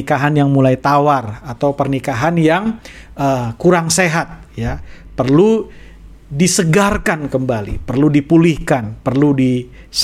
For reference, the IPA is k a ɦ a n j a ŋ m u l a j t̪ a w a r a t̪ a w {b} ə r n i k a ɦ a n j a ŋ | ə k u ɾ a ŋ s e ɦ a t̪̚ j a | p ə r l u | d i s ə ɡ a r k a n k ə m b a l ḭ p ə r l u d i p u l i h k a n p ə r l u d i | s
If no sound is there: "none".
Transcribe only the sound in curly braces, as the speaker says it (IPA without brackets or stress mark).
p